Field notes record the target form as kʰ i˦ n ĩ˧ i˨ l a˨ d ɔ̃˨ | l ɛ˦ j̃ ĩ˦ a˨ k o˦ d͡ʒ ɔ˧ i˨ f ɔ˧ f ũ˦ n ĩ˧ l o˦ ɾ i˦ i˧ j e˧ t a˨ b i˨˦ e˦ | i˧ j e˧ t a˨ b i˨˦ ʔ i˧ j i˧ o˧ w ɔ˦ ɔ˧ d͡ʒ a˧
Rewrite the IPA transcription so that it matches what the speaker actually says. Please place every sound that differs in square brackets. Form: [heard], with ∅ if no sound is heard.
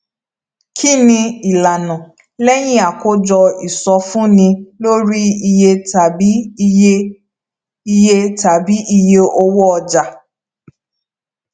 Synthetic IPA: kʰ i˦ n ĩ˧ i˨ l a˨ [n] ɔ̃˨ | l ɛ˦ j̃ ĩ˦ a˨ k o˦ d͡ʒ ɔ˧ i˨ [s] ɔ˧ f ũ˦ n ĩ˧ l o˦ ɾ i˦ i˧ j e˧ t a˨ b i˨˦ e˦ | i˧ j e˧ t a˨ b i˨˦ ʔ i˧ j [e˧] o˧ w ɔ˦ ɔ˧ d͡ʒ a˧